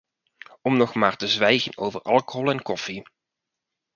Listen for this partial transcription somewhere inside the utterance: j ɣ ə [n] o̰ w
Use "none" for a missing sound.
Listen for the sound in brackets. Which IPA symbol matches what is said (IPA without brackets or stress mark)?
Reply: n